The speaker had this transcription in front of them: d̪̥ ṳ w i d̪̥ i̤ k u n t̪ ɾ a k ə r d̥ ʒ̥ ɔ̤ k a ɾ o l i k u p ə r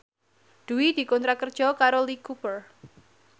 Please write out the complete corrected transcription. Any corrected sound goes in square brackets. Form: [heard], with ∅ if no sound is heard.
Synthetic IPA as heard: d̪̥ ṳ w i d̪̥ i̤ k [ɔ] n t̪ ɾ a k ə r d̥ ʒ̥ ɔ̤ k a ɾ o l i k u p ə r